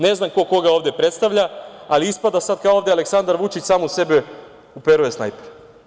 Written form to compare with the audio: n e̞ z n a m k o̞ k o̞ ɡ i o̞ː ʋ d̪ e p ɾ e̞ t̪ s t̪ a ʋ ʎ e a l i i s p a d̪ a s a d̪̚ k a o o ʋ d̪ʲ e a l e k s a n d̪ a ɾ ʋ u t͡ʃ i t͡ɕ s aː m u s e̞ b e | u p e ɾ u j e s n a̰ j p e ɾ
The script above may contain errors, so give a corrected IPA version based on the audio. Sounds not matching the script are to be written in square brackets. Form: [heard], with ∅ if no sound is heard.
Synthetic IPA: n e̞ z n a m k o̞ k o̞ ɡ [a] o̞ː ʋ d̪ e p ɾ e̞ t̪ s t̪ a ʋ ʎ [a] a l i i s p a d̪ a s a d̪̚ k a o o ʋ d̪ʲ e a l e k s a n d̪ a ɾ ʋ u t͡ʃ i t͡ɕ s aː m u s e̞ b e | u p e ɾ u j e s n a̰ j p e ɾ

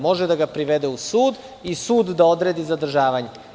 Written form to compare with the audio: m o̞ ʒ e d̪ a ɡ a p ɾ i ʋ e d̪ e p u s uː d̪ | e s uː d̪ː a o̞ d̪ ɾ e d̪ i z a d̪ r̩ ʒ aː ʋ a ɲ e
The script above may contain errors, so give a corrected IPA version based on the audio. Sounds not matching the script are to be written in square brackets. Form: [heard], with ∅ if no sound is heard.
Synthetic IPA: m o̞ ʒ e d̪ a ɡ a p ɾ i ʋ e d̪ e [∅] u s uː d̪ | [i] s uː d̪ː a o̞ d̪ ɾ e d̪ i z a d̪ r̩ ʒ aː ʋ a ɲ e

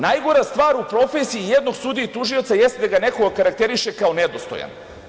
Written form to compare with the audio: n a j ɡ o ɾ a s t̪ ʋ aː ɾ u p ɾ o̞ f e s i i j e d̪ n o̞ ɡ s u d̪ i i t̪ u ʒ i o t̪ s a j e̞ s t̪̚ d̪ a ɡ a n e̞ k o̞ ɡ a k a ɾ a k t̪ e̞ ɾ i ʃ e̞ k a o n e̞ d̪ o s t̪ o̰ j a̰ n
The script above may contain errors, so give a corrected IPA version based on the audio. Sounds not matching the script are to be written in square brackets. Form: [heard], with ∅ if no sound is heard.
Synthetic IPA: n a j ɡ o ɾ a s t̪ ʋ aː ɾ u p ɾ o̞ f e s i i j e d̪ n o̞ ɡ s u d̪ i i t̪ u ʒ i o t̪ s a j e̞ s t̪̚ d̪ a ɡ a n e̞ k o̞ ɡ a k a ɾ a k t̪ e̞ ɾ i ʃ e̞ k a o n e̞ d̪ o s t̪ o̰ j a̰ n

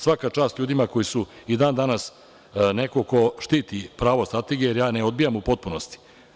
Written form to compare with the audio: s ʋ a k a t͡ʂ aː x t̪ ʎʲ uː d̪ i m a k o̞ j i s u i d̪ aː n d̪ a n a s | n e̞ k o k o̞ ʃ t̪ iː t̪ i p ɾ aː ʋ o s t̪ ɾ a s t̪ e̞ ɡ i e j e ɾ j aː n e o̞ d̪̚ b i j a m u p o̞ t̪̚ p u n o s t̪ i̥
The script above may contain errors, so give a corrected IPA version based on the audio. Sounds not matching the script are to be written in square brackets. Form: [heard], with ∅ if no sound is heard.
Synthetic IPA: s ʋ a k a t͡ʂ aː [s] t̪ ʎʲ uː d̪ i m a k o̞ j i s u i d̪ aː n d̪ a n a s | n e̞ k o k o̞ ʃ t̪ iː t̪ i p ɾ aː ʋ o s t̪ ɾ a [∅] t̪ e̞ ɡ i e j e ɾ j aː n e o̞ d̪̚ b i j a m u p o̞ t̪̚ p u n o s t̪ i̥

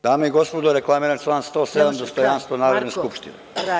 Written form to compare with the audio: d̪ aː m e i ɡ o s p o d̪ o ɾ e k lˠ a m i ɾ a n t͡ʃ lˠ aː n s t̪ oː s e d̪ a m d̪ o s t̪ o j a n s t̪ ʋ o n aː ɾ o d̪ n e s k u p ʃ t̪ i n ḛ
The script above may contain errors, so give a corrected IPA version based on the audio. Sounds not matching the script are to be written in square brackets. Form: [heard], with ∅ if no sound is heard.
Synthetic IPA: d̪ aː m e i ɡ o s p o d̪ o ɾ e k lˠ a m i ɾ a n t͡ʃ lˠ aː n s t̪ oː s e d̪ a m d̪ o s t̪ o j a n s t̪ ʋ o n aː ɾ o d̪ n e s k u p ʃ t̪ i n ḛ

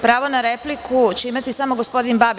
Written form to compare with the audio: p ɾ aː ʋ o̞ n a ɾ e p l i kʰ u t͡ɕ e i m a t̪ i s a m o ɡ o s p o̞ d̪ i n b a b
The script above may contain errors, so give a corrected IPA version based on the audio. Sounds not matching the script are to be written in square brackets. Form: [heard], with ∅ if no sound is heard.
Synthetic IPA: p ɾ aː ʋ o̞ n a ɾ e p l i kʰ u t͡ɕ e i m a t̪ i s a m o ɡ o s p o̞ d̪ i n b a b

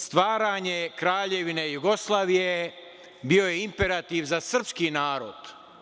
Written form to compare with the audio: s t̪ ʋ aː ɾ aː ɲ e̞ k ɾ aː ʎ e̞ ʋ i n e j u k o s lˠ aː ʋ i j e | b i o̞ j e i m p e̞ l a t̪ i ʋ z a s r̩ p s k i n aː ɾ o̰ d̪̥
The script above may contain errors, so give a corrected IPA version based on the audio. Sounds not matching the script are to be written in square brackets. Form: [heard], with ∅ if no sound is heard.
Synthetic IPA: s t̪ ʋ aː ɾ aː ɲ e̞ k ɾ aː ʎ e̞ ʋ i n e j u [ɡ] o s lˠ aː ʋ i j e | b i o̞ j e i m p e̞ [ɾ] a t̪ i ʋ z a s r̩ p s k i n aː ɾ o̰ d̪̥

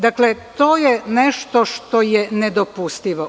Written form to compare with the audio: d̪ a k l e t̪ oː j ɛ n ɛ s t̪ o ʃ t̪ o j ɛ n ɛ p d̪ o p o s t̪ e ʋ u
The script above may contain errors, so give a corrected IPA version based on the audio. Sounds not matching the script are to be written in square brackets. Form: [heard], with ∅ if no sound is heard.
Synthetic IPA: d̪ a k l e t̪ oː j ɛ n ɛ [ʃ] t̪ o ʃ t̪ o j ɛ n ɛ [∅] d̪ o p [u] s t̪ [i] ʋ [o]

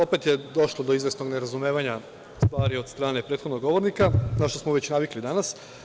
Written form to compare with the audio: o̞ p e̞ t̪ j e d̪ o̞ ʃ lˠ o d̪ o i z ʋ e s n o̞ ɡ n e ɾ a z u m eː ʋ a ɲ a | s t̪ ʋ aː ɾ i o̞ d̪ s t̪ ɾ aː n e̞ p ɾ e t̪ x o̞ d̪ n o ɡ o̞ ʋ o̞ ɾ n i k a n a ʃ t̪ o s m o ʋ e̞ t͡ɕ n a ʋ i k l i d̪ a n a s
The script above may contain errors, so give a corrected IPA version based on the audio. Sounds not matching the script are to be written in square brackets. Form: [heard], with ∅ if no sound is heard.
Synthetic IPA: o̞ p e̞ t̪ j e d̪ o̞ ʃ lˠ o d̪ o i z ʋ e s n o̞ ɡ n e ɾ a z u m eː ʋ a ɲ a | s t̪ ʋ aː ɾ i o̞ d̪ s t̪ ɾ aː n e̞ p ɾ e t̪ x o̞ d̪ n o ɡ o̞ ʋ o̞ ɾ n i k a n a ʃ t̪ o s m o ʋ e̞ t͡ɕ n a ʋ i k l i d̪ a n a s

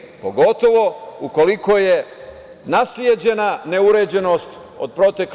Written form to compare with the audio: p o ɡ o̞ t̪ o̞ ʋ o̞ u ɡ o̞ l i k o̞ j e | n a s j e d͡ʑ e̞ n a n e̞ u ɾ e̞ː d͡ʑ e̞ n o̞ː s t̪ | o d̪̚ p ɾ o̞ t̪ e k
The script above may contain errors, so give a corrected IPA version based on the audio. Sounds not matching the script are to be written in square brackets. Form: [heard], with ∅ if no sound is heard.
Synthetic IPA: p o ɡ o̞ t̪ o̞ ʋ o̞ u [k] o̞ l i k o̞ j e | n a s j e d͡ʑ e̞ n a n e̞ u ɾ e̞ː d͡ʑ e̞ n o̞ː s t̪ | o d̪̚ p ɾ o̞ t̪ e k

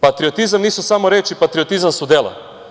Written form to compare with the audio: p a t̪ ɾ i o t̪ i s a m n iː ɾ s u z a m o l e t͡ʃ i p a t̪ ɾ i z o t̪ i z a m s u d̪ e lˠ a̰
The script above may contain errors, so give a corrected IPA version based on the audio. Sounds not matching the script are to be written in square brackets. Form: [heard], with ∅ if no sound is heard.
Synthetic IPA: p a t̪ ɾ i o t̪ i [z] a m n iː [∅] s u [s] a m o [ɾ] e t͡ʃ i p a t̪ ɾ i [∅] o t̪ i z a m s u d̪ e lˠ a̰

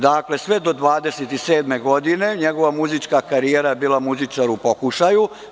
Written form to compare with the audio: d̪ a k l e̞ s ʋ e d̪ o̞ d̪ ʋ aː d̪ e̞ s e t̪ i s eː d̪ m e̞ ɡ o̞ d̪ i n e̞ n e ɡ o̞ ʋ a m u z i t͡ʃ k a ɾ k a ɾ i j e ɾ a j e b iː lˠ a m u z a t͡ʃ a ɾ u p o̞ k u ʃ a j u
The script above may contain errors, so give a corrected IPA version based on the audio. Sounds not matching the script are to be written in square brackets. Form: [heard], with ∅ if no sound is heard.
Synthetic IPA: d̪ a k l e̞ s ʋ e d̪ o̞ d̪ ʋ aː d̪ e̞ s e t̪ i s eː d̪ m e̞ ɡ o̞ d̪ i n e̞ [ɲ] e ɡ o̞ ʋ a m u z i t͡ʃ k a [∅] k a ɾ i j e ɾ a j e b iː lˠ a m u z [i] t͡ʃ a ɾ u p o̞ k u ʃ a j u

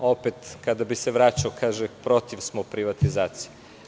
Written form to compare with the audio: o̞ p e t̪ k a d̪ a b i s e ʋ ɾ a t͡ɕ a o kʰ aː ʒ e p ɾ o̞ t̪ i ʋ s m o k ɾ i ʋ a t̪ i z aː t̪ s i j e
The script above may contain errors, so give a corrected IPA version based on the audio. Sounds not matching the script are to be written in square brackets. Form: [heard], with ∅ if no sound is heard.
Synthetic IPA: o̞ p e t̪ k a d̪ a b i s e ʋ ɾ a t͡ɕ a o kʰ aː ʒ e p ɾ o̞ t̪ i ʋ s m o [p] ɾ i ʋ a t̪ i z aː t̪ s i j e

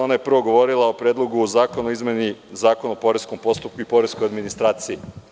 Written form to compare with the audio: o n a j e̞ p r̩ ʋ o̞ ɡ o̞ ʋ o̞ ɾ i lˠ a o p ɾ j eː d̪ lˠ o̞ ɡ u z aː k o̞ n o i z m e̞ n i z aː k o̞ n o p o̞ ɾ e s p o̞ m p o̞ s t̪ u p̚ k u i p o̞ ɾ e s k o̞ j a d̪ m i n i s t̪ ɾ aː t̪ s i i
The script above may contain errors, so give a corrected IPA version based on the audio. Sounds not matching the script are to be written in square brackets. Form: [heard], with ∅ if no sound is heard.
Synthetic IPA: o n a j e̞ p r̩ ʋ o̞ ɡ o̞ ʋ o̞ ɾ i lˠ a o p ɾ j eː d̪ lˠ o̞ ɡ u z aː k o̞ n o i z m e̞ n i z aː k o̞ n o p o̞ ɾ e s [k] o̞ m p o̞ s t̪ u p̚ k u i p o̞ ɾ e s k o̞ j a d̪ m i n i s t̪ ɾ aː t̪ s i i

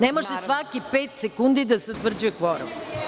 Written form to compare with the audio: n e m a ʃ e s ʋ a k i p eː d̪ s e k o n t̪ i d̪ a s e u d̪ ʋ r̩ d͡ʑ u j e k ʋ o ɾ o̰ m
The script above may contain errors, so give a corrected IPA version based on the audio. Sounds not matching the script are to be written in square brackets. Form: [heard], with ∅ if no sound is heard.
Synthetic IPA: n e m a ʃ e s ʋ a k i p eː [t̪] s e k [u] n [d̪] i d̪ a s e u [t̪] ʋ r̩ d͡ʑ u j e k ʋ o ɾ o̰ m

